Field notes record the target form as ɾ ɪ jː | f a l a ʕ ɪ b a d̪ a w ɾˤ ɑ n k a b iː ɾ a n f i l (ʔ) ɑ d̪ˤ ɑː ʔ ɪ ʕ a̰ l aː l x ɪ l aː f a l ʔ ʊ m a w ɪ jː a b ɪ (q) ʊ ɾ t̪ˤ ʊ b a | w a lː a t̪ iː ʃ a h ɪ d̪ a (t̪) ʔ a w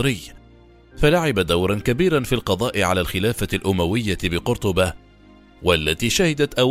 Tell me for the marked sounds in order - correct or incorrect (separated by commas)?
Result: incorrect, correct, correct